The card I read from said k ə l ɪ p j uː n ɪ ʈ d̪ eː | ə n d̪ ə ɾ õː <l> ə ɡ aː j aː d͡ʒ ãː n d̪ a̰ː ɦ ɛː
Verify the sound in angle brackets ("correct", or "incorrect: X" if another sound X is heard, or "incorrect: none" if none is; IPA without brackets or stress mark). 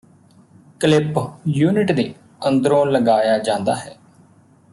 correct